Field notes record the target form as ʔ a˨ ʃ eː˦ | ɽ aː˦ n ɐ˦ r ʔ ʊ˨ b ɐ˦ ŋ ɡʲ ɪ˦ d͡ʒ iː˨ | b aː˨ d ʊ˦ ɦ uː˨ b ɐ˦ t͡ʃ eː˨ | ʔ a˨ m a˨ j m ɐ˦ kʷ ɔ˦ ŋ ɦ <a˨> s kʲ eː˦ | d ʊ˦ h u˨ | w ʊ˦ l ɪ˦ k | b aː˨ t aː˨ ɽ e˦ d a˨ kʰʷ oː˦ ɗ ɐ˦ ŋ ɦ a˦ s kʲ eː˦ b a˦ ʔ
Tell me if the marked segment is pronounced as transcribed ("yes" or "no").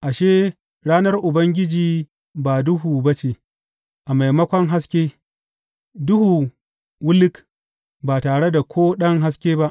no